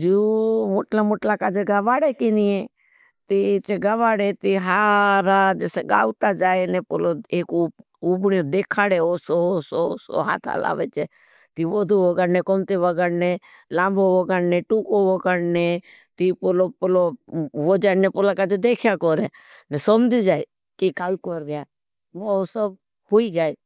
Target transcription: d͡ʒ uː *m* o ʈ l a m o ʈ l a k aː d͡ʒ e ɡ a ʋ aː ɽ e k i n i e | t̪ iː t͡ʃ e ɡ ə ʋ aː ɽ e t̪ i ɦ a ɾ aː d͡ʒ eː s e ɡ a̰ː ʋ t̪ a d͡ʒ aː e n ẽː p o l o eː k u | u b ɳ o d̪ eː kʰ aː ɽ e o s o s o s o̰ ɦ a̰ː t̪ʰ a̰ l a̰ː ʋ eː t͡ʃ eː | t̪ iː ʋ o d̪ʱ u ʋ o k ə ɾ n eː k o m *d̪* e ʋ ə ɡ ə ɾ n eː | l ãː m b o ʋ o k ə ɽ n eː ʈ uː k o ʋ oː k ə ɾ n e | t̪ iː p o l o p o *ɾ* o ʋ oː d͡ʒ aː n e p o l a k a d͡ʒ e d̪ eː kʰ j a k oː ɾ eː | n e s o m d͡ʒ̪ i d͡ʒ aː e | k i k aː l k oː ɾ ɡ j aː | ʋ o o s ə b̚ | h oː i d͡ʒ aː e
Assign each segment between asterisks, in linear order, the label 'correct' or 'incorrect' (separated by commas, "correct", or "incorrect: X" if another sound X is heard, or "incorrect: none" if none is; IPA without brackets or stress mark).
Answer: correct, incorrect: t̪, incorrect: l